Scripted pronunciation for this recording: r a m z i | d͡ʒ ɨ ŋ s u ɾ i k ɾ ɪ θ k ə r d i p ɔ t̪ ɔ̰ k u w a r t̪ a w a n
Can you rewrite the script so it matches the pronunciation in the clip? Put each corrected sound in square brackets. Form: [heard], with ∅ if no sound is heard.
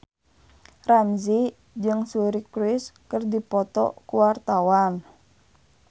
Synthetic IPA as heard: r a m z i | d͡ʒ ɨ ŋ s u ɾ i k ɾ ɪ [s] k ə r d i p ɔ t̪ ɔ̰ k u w a r t̪ a w a n